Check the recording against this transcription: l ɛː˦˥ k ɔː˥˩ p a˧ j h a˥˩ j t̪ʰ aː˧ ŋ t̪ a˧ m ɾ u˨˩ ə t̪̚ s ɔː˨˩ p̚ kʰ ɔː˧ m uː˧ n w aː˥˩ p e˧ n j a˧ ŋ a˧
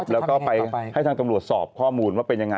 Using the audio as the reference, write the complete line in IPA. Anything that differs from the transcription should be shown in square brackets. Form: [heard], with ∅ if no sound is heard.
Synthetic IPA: l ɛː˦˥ k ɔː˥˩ p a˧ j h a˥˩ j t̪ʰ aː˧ ŋ t̪ a˧ m ɾ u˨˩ ə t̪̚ s ɔː˨˩ p̚ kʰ [ɔː˥˩] m uː˧ n w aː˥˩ p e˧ n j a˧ ŋ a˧